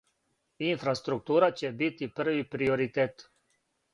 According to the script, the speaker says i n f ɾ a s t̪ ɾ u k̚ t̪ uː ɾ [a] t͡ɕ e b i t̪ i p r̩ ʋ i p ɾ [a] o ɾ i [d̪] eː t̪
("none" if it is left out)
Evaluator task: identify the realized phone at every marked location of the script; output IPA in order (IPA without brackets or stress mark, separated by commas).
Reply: a, i, t̪